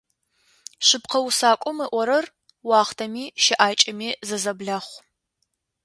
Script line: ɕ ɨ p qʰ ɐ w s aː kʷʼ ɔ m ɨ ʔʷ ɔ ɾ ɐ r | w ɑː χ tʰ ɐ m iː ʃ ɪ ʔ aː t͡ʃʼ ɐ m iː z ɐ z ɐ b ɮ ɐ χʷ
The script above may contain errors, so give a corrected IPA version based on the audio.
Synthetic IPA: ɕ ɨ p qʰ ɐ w s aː kʷʼ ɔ m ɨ ʔʷ ɔ ɾ ɐ r | w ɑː χ tʰ ɐ m iː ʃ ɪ ʔ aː t͡ʃʼ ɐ m iː z ɐ z ɐ b ɮ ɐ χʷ